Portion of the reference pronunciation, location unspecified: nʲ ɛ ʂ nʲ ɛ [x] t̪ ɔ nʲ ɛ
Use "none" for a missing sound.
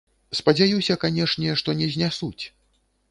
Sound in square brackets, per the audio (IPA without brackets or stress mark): ʂ